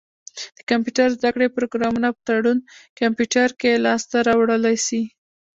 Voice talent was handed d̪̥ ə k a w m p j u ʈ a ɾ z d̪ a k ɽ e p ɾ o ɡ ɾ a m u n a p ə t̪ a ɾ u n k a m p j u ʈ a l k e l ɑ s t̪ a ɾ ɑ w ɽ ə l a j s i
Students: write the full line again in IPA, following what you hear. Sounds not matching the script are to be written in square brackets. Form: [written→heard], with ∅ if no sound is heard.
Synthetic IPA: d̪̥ ə k a [w→∅] m p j u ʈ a ɾ z d̪ a k ɽ e p ɾ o ɡ ɾ [a→ɑ] m u n a p ə t̪ a [ɾ→ɽ] u n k a m p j u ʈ a [l→ɾ] k e l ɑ s t̪ a ɾ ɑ w ɽ ə l a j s i